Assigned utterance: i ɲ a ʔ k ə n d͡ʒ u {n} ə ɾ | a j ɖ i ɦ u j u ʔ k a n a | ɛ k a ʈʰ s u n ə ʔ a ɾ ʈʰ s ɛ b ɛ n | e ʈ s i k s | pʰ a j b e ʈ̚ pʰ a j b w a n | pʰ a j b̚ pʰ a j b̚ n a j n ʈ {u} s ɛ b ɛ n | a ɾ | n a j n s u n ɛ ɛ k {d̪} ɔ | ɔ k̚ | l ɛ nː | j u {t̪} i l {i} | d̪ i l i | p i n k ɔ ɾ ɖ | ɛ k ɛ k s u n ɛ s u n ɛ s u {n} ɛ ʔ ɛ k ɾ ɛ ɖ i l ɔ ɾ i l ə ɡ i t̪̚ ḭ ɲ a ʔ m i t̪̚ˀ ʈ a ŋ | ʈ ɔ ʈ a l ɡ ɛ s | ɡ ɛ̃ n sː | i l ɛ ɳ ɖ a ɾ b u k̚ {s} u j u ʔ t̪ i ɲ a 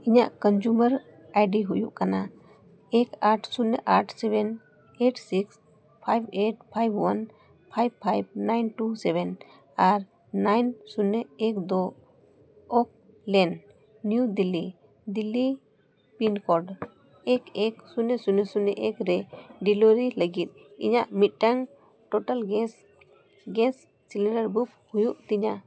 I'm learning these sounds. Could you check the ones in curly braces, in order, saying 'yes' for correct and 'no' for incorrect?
no, yes, yes, no, yes, yes, no

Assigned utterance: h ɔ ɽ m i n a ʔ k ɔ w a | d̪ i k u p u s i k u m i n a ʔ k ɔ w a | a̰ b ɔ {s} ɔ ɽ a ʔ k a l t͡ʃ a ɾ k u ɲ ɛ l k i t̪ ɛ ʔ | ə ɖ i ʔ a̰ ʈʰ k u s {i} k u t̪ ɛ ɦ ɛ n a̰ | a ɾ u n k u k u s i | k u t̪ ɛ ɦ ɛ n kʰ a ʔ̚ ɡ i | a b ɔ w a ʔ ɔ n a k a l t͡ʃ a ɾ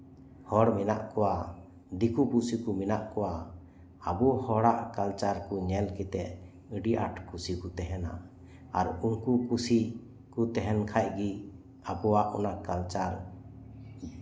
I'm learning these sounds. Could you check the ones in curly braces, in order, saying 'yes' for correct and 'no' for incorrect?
no, yes

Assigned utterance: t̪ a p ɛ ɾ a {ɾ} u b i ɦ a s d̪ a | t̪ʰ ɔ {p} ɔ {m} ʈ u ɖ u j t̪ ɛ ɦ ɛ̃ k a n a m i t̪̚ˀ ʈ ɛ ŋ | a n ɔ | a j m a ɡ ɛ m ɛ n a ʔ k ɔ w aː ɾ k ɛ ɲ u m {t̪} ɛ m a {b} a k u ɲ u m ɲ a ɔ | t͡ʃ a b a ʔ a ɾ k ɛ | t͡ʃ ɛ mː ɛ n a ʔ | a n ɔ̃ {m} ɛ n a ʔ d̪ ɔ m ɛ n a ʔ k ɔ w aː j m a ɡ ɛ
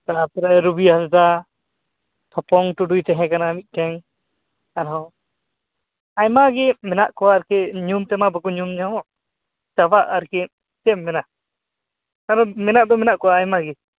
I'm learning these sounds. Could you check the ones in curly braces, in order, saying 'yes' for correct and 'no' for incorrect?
yes, yes, no, yes, yes, yes

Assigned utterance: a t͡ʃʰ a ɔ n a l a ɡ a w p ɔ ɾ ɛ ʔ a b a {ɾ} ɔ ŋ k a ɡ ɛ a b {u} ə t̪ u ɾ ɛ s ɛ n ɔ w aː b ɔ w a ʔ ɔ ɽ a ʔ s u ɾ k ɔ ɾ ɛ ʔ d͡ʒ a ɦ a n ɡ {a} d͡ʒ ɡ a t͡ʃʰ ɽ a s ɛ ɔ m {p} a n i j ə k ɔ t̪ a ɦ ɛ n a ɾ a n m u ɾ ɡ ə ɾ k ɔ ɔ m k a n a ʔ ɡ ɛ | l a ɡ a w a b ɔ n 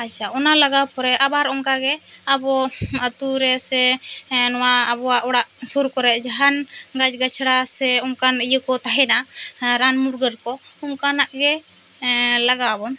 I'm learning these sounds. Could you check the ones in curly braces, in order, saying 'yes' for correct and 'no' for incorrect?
yes, no, yes, no

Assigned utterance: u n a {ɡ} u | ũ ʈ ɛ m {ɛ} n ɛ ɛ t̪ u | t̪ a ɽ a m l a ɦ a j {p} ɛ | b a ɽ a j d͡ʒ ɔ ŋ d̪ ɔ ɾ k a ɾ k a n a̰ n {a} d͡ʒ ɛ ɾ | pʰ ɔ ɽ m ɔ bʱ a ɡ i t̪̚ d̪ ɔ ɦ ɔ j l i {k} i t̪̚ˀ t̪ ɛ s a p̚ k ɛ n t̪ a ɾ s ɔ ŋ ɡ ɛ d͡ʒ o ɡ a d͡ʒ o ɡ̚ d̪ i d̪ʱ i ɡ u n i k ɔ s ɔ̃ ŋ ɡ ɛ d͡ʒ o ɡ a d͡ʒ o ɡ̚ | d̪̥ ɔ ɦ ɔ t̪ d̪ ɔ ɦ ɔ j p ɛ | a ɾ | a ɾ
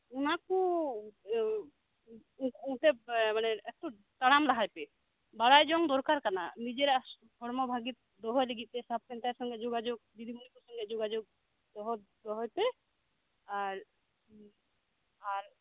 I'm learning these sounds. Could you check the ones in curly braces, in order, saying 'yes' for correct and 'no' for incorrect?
no, no, yes, no, no

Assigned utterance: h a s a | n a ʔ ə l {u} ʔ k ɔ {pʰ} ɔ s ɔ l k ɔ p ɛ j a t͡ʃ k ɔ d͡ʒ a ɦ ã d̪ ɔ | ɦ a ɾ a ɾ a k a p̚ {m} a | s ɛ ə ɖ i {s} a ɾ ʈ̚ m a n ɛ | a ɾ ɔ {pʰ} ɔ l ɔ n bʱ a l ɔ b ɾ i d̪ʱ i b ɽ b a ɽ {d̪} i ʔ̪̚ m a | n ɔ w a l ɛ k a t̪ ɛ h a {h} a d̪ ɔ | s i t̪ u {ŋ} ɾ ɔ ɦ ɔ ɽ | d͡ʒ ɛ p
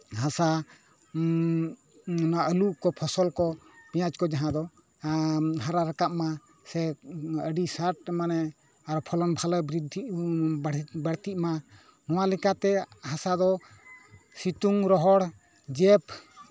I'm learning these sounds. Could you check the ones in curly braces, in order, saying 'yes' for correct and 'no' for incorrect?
yes, yes, yes, yes, yes, no, no, yes

